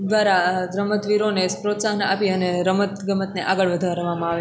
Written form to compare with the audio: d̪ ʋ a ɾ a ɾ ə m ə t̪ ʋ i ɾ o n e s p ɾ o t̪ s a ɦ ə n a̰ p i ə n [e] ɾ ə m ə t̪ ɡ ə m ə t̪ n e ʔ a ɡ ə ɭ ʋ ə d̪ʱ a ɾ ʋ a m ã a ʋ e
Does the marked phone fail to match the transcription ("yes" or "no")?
no